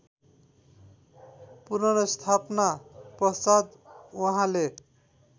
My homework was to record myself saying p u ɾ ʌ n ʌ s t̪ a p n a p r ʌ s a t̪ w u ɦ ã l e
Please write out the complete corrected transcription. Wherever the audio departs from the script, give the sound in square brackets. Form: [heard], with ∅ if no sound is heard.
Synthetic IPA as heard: p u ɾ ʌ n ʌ s [t̪ʰ] a p n a p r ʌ s a [d̪] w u ɦ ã l e